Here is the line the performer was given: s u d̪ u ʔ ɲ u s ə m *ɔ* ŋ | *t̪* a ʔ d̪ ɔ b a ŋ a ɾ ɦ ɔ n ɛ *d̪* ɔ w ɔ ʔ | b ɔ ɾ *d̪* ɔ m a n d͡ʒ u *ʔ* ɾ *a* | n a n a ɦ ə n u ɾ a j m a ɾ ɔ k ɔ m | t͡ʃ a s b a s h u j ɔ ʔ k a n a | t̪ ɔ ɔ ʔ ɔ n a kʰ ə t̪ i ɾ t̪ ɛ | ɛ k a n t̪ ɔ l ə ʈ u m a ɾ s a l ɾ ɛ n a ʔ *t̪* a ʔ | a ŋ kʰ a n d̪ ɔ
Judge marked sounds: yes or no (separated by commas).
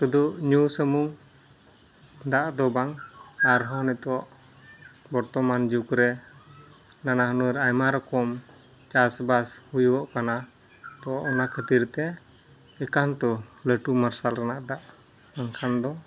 no, no, no, no, no, no, no